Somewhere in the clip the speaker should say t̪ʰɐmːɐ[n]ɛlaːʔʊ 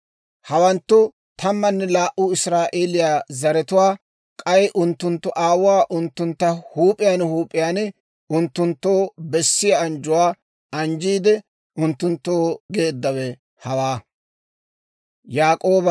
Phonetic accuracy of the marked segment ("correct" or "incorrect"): incorrect